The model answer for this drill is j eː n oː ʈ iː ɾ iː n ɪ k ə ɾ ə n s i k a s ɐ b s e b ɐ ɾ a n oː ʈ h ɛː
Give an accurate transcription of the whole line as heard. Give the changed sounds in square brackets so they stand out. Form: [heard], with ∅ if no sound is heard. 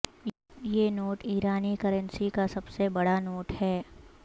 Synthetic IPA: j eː n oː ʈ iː ɾ [aː] n [i] k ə ɾ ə n s i k a s ɐ b s e b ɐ [ɽ] a n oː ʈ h ɛː